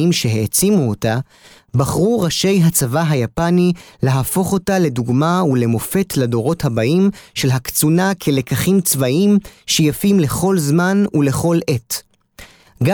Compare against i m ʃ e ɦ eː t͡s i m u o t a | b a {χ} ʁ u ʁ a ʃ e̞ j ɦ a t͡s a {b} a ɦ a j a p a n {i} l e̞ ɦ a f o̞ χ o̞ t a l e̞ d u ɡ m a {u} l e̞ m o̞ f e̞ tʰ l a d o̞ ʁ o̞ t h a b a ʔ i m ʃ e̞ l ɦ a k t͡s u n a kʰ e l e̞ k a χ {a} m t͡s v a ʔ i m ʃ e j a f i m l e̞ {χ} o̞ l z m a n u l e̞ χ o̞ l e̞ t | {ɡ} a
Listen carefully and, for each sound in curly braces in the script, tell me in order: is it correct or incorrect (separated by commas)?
correct, incorrect, correct, correct, incorrect, correct, correct